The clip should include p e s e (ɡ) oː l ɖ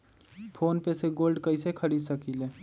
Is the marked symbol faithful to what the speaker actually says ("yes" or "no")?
yes